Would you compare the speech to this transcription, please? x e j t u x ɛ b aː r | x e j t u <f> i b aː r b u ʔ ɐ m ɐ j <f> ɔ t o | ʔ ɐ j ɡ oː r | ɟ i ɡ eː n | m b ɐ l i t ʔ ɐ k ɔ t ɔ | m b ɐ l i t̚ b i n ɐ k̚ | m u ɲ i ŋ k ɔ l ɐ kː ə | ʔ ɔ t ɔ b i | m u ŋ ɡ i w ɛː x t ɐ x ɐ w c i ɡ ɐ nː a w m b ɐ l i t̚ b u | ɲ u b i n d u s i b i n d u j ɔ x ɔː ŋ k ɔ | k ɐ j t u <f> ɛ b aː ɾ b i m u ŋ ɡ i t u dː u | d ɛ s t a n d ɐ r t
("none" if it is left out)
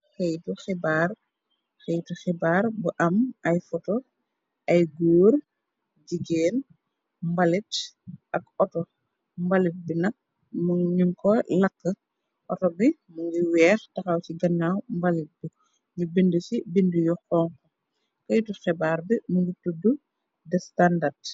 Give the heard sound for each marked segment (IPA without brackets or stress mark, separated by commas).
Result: x, f, x